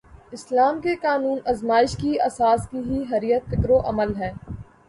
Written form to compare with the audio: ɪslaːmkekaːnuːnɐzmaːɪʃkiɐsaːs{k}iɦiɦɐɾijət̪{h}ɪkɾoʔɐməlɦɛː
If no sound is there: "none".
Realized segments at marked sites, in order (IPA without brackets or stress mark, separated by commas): k, f